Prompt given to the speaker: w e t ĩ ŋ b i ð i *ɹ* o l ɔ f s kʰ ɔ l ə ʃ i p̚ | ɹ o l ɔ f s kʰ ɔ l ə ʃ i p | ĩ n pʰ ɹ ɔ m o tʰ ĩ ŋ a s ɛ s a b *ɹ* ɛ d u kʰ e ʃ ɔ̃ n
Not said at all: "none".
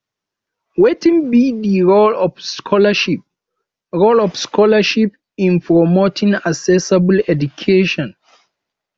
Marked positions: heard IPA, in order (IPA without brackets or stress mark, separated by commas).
ɹ, l